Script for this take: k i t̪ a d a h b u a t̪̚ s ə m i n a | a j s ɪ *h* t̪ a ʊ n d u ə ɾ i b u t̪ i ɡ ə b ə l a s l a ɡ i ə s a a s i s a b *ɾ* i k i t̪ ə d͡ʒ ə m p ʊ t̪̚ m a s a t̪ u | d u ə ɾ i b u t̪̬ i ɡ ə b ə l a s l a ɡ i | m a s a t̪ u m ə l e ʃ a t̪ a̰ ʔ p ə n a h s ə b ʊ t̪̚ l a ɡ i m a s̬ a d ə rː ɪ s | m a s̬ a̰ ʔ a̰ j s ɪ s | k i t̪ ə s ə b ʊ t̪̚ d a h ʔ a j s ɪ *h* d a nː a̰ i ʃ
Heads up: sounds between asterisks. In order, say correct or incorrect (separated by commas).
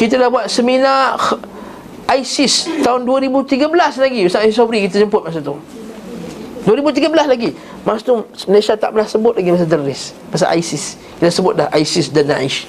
incorrect, correct, incorrect